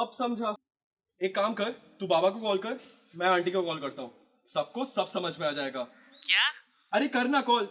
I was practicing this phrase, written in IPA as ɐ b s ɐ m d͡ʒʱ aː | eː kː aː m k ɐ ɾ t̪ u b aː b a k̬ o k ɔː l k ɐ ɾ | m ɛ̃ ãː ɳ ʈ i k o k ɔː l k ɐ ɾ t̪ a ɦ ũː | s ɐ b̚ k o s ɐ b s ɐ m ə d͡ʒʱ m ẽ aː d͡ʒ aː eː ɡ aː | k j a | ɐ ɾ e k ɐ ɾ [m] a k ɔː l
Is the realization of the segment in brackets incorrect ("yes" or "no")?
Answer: yes